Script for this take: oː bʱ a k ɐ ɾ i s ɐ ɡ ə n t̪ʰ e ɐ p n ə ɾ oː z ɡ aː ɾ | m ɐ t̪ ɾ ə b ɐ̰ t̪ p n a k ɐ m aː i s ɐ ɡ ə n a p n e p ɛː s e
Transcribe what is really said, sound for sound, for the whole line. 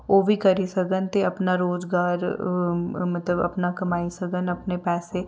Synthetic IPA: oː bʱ i k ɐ ɾ i s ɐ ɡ ə n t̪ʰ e ɐ p n a ɾ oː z ɡ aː ɾ | m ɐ t̪ l ə b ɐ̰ p n a k ɐ m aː i s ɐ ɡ ə n ɐ p n e p ɛː s e